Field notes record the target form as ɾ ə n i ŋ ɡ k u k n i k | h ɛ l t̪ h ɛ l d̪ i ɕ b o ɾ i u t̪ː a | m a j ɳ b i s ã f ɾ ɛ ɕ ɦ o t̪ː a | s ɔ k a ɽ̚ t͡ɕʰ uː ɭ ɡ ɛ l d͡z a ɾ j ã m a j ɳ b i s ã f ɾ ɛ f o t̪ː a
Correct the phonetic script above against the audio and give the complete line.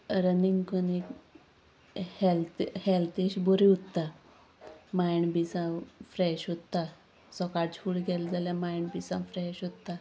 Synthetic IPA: ɾ ə n i ŋ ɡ k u n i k | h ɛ l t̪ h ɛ l t̪ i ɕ b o ɾ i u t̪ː a | m a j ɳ b i s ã f ɾ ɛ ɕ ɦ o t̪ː a | s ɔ k a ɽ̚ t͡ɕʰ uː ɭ ɡ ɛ l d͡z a l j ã m a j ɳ b i s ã f ɾ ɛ ɕ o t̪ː a

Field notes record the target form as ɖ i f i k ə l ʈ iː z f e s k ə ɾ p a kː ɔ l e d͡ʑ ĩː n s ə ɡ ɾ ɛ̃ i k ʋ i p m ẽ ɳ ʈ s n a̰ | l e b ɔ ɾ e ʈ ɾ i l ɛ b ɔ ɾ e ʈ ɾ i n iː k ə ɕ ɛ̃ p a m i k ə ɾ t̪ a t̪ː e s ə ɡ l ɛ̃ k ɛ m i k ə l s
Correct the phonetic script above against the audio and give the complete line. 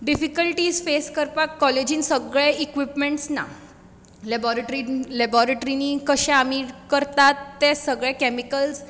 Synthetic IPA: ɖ i f i k ə l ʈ iː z f e s k ə ɾ p a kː ɔ l e d͡ʑ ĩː n s ə ɡ ɭ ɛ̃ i k ʋ i p m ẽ ɳ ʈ s n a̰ | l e b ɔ ɾ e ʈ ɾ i l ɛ b ɔ ɾ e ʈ ɾ i n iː k ə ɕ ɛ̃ a m i k ə ɾ t̪ a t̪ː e s ə ɡ ɭ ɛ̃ k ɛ m i k ə l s

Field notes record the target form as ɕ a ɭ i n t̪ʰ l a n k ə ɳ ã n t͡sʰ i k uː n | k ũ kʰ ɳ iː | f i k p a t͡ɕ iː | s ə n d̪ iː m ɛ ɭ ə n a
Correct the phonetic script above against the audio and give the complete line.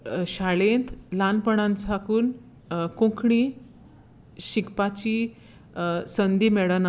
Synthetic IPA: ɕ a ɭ e n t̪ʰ l a n p ə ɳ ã n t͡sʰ a k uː n | k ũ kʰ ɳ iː | ɕ i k p a t͡ɕ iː | s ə n d̪ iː m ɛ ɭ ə n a

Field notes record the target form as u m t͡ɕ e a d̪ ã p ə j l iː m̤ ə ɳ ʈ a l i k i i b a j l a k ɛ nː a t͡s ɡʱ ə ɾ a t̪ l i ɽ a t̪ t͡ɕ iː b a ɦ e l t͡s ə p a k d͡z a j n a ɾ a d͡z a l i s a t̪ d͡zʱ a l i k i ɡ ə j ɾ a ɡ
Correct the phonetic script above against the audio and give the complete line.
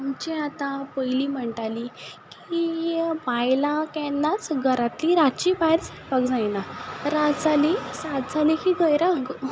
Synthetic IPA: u m t͡ɕ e a t̪ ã p ə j l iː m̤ ə ɳ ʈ a l i k i i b a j l a k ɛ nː a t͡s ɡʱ ə ɾ a t̪ l i ɾ a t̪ t͡ɕ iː b a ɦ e ɾ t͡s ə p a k d͡z a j n a ɾ a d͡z a l i s a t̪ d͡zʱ a l i k i ɡ ə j ɾ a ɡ

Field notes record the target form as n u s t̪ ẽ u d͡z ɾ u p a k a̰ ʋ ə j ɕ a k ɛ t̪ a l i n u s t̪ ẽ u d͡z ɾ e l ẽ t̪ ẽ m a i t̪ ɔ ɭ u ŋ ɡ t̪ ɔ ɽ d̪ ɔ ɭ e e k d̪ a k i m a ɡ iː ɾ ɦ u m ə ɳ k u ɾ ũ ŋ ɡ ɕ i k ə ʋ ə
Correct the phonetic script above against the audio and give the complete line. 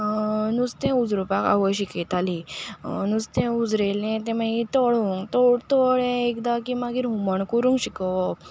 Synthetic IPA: n u s t̪ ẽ u d͡z ɾ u p a k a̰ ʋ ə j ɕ i k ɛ t̪ a l i n u s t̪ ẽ u d͡z ɾ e l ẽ t̪ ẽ m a i t̪ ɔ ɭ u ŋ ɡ t̪ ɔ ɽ t̪ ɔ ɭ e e k d̪ a k i m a ɡ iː ɾ ɦ u m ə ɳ k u ɾ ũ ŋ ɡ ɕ i k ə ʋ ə

